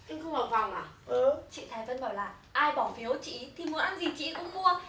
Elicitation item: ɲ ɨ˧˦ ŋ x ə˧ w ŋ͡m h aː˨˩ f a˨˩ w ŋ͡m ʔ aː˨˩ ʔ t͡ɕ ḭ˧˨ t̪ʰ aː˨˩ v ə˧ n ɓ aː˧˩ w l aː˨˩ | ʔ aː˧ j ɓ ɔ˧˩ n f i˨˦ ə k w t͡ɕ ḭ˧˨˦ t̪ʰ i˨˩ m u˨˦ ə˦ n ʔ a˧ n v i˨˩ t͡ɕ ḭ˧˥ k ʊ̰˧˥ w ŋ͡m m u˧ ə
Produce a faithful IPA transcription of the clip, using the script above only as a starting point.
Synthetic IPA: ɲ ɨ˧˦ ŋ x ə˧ w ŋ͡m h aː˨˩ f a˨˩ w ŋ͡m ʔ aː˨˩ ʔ t͡ɕ ḭ˧˨ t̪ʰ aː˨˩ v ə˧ n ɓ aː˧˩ w l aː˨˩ | ʔ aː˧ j ɓ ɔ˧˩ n f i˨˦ ə w t͡ɕ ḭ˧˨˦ t̪ʰ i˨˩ m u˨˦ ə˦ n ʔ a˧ n z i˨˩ t͡ɕ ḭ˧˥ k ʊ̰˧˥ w ŋ͡m m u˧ ə